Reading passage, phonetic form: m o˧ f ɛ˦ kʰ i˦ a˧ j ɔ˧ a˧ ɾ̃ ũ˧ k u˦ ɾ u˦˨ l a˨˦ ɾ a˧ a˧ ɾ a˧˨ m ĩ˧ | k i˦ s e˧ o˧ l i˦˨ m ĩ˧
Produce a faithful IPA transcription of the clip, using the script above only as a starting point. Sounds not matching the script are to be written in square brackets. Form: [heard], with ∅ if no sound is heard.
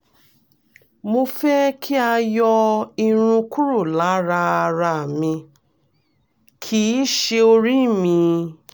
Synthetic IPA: m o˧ f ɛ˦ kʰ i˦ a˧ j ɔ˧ [i˧] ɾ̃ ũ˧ k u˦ ɾ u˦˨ l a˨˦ ɾ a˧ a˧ ɾ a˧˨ m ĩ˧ | [kʰ] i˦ [ʃ] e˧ o˧ [ɾ] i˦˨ m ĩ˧